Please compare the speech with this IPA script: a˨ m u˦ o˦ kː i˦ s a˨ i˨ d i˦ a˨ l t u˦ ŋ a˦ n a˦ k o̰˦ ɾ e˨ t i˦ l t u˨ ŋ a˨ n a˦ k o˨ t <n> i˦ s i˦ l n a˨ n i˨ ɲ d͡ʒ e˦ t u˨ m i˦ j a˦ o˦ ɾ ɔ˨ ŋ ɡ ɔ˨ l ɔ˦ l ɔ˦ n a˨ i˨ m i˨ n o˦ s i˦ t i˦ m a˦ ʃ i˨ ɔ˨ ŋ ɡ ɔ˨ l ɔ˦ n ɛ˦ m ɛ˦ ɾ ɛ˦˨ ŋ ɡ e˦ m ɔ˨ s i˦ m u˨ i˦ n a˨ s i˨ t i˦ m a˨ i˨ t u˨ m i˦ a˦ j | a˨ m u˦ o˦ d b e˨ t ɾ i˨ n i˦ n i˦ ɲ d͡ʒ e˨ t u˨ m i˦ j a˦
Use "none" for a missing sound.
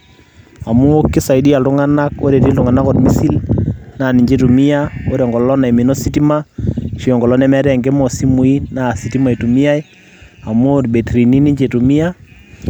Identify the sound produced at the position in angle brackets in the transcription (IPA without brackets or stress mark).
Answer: m